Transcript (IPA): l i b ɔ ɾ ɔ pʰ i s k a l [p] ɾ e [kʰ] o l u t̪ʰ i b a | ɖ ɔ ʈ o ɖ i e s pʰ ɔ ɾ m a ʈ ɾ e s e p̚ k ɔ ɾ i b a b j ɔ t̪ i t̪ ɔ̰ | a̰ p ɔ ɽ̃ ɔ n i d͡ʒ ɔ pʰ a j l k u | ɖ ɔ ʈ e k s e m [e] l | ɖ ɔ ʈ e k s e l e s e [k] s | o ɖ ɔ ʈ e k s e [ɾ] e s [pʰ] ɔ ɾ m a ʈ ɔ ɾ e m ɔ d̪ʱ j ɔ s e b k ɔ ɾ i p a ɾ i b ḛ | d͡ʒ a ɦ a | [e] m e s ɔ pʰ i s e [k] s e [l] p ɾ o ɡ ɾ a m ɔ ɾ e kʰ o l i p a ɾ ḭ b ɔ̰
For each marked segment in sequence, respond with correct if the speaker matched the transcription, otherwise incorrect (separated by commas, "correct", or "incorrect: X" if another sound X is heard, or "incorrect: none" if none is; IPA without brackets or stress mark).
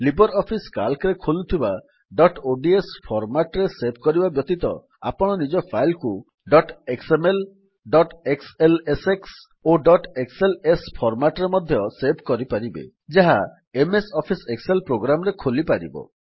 incorrect: k, correct, correct, correct, incorrect: l, correct, correct, correct, correct